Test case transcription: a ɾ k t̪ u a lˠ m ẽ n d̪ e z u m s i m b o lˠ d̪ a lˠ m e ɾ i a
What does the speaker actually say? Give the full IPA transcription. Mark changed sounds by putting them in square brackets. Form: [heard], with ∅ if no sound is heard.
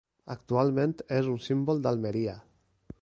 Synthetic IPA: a [∅] k t̪ u a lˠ m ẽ n [t̪] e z u [n] s i m b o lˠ d̪ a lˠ m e ɾ i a

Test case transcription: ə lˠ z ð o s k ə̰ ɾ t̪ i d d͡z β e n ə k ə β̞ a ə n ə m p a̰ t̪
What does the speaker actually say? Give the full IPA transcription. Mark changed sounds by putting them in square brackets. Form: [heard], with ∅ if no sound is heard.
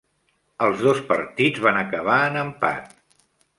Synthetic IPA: ə lˠ z ð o s [p] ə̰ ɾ t̪ i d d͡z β [a] n ə k ə β̞ a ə n ə m p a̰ t̪

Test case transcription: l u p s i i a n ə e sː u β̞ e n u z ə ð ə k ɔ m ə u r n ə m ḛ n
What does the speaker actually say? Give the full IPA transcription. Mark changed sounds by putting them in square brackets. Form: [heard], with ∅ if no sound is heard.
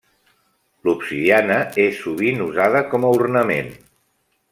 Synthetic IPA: l u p s i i a n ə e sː u β̞ [i] n u z [a] ð ə k ɔ m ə u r n ə m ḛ n

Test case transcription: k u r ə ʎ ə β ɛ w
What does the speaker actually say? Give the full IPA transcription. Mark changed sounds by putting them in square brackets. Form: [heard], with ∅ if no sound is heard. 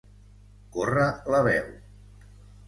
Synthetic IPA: k [o] r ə [l] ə β ɛ w

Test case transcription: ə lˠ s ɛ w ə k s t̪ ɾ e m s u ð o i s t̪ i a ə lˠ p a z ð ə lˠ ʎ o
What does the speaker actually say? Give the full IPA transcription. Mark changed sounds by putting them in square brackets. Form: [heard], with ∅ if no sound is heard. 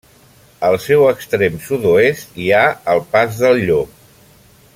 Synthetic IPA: ə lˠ s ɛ w ə k s t̪ ɾ e m s u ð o [e] s t̪ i a ə lˠ p a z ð ə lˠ ʎ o

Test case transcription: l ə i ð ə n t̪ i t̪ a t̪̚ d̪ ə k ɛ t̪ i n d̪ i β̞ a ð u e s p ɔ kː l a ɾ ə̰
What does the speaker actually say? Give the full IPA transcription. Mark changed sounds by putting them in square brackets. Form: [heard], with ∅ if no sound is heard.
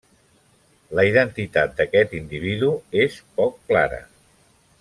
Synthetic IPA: l ə i ð ə n t̪ i t̪ a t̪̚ d̪ ə k ɛ t̪ i n d̪ i β̞ [i] ð u e s p ɔ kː l a ɾ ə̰

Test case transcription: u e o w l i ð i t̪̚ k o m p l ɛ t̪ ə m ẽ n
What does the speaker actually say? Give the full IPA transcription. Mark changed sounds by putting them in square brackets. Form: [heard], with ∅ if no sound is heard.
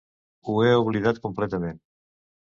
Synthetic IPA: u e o [β] l i ð [a] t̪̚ k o m p l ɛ t̪ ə m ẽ n

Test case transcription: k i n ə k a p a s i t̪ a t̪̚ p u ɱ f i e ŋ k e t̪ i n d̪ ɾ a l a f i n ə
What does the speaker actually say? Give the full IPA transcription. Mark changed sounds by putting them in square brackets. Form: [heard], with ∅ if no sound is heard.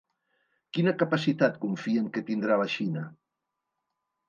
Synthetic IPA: k i n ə k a p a s i t̪ a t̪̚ [k] u ɱ f i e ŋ k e t̪ i n d̪ ɾ a l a [ʃ] i n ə

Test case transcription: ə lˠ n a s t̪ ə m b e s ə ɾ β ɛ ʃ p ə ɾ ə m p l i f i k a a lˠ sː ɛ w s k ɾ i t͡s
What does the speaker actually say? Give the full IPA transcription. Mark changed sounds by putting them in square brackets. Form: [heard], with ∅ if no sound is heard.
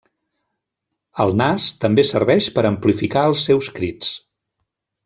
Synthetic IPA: ə lˠ n a s t̪ ə m b e s ə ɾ β ɛ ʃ p ə ɾ ə m p l i f i k a [ə] lˠ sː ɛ w s k ɾ i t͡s

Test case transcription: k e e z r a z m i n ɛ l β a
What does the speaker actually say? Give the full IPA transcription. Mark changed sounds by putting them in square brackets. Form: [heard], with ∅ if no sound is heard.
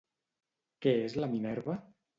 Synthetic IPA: k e e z [l] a [∅] m i n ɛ [ɾ] β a

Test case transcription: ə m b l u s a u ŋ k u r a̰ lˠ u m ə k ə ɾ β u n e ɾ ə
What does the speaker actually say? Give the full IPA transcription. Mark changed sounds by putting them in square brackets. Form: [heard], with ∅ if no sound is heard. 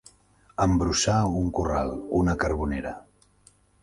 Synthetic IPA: ə m b [ɾ] u s a u ŋ k u r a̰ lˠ u [n] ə k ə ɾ β u n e ɾ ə

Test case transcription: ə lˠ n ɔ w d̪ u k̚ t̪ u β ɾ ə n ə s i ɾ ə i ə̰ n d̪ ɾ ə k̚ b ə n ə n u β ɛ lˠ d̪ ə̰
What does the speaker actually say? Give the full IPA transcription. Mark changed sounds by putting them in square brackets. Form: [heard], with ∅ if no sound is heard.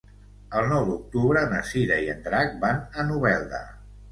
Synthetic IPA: ə lˠ n ɔ w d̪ u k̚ t̪ u β ɾ ə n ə s i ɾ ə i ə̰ n d̪ ɾ [a] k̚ b [a] n ə n u β ɛ lˠ d̪ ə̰

